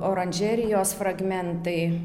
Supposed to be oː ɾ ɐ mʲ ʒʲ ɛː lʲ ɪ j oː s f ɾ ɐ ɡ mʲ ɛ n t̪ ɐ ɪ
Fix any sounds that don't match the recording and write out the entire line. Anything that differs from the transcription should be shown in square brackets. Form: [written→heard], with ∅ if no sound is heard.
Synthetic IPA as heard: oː ɾ ɐ [mʲ→nʲ] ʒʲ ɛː [lʲ→ɾʲ] ɪ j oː s f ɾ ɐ ɡ mʲ ɛ n t̪ ɐ ɪ